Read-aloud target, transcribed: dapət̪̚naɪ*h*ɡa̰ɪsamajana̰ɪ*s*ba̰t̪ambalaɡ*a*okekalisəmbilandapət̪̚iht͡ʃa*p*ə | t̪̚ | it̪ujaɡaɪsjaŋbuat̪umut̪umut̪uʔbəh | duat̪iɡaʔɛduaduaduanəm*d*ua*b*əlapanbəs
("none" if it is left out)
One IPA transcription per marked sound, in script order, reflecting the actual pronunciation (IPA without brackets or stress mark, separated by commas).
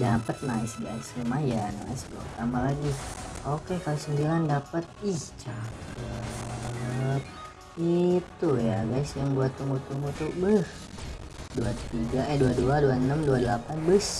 s, s, i, k, d, d